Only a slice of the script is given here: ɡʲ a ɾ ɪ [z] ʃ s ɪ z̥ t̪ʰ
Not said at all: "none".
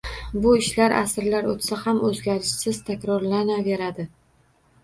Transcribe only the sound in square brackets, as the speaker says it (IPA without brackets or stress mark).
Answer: none